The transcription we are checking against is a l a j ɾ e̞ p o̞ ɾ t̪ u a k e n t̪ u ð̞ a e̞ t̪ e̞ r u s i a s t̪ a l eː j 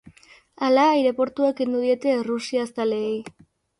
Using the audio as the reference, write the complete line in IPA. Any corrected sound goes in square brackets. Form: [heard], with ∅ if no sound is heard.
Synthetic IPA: a l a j ɾ e̞ p o̞ ɾ t̪ u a k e n [d̪] u ð̞ [i] e̞ t̪ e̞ r u s i a s t̪ a l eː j

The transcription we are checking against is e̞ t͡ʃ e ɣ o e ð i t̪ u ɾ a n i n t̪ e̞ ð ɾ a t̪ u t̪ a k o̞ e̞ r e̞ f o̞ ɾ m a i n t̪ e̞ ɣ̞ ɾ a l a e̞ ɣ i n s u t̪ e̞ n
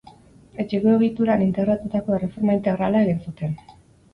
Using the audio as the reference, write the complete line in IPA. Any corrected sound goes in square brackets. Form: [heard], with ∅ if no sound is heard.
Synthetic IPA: e̞ t͡ʃ e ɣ o e [ɣ] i t̪ u ɾ a n i n t̪ e̞ [ɣ] ɾ a t̪ u t̪ a k o̞ e̞ r e̞ f o̞ ɾ m a i n t̪ e̞ ɣ̞ ɾ a l a e̞ ɣ i n s u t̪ e̞ n

